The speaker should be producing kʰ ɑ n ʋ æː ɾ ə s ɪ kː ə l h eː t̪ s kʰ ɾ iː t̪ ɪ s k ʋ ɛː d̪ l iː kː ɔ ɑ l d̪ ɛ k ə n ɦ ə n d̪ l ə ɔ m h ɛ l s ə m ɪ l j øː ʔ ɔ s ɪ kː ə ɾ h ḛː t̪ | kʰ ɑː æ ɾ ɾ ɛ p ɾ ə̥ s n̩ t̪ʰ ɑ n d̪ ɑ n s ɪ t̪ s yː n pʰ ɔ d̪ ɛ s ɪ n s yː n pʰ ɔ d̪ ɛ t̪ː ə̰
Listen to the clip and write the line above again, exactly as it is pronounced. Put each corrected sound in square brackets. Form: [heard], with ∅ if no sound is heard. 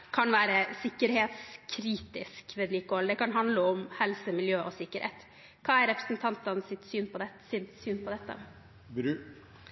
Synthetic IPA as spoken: kʰ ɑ n ʋ æː ɾ ə s ɪ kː ə [ɾ] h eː t̪ s kʰ ɾ iː t̪ ɪ s k ʋ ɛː d̪ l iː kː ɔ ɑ l d̪ ɛ k [ɑ] n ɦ [ɑ] n d̪ l ə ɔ m h ɛ l s ə m ɪ l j øː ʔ ɔ s ɪ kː ə ɾ h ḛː t̪ | kʰ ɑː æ ɾ ɾ ɛ p ɾ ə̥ s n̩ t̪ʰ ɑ n [t̪] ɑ n s ɪ t̪ s yː n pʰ ɔ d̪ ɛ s ɪ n s yː n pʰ ɔ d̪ ɛ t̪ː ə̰